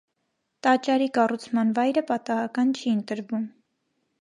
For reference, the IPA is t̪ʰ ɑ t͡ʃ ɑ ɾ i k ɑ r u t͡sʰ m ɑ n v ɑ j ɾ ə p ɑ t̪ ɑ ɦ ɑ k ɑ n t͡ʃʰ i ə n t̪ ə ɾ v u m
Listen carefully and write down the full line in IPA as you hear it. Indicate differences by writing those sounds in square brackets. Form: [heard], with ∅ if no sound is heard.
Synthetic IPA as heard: [t̪] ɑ t͡ʃ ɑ ɾ i k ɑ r u t͡sʰ m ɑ n v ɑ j ɾ ə p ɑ t̪ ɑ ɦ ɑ k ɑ n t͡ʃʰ i ə n t̪ ə ɾ v u m